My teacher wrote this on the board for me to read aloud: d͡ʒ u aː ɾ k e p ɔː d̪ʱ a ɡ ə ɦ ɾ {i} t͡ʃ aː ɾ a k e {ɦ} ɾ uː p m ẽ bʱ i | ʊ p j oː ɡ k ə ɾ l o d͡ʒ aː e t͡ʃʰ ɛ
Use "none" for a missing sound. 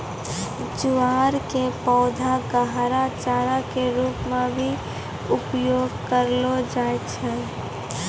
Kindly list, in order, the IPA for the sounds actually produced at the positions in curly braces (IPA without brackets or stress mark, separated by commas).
a, none